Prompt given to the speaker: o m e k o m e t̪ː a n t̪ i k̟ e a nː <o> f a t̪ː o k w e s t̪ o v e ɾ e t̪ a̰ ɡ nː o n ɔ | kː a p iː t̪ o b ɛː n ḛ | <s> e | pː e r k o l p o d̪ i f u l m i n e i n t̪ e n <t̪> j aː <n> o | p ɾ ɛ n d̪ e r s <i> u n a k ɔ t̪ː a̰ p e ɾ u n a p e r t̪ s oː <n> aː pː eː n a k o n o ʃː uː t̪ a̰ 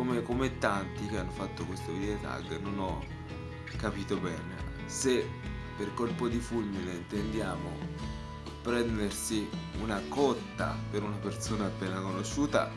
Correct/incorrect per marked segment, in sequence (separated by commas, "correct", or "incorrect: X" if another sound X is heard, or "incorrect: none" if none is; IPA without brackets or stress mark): correct, correct, incorrect: d̪, incorrect: m, correct, correct